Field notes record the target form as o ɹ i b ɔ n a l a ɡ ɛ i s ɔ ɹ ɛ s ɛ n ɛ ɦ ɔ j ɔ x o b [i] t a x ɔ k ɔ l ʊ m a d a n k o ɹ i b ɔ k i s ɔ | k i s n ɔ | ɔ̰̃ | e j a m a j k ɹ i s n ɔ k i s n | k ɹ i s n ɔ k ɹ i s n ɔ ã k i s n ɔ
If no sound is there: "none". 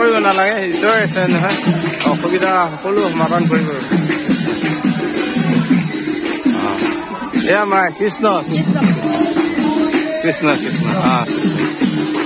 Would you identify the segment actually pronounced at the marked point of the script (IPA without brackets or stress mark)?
i